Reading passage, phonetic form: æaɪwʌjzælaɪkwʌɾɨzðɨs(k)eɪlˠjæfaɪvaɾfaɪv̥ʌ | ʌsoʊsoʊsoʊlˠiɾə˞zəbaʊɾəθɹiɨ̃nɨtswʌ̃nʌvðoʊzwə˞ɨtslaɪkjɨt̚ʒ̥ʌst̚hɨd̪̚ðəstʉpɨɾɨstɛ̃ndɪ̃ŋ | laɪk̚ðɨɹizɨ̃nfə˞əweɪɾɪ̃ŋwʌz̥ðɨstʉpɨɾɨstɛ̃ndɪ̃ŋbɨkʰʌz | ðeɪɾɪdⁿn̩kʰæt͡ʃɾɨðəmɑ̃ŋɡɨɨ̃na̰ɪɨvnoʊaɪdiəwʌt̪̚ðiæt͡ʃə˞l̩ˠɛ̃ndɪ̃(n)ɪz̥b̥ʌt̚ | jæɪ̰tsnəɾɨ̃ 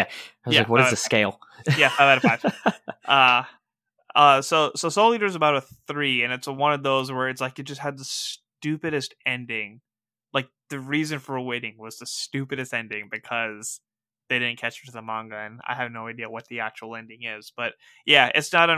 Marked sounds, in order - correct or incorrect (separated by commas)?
correct, incorrect